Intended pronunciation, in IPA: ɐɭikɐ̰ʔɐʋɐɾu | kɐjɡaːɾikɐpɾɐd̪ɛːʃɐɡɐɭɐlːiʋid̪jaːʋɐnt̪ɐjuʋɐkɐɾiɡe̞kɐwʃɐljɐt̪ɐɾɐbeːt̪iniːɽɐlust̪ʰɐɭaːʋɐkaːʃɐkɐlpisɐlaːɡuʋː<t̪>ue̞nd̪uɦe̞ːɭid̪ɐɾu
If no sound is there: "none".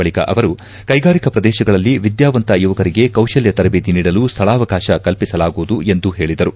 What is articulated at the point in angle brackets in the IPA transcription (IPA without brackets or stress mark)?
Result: d̪